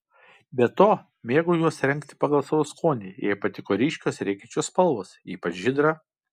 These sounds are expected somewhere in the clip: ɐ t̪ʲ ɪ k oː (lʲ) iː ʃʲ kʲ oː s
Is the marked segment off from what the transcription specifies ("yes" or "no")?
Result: yes